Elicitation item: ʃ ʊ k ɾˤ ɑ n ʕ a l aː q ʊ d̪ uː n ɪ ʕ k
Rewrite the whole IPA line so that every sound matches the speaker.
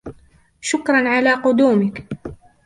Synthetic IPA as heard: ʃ ʊ k ɾˤ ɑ n ʕ a l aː q ʊ d̪ uː m ɪ k